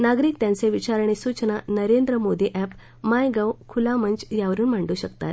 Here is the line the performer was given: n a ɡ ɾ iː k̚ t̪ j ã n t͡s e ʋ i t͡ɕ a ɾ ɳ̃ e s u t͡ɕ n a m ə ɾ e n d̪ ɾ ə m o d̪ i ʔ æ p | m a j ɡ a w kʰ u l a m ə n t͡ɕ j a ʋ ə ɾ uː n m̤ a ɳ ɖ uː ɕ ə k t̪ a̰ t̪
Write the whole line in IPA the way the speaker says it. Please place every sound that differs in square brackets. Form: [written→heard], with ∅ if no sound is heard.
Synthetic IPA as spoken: n a ɡ ɾ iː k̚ t̪ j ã n t͡s e ʋ i t͡ɕ a ɾ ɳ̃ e s u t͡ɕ n a [m→n] ə ɾ e n d̪ ɾ ə m o d̪ i ʔ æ p | m a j ɡ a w kʰ u l a m ə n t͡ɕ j a ʋ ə ɾ uː n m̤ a ɳ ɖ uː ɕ ə k t̪ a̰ t̪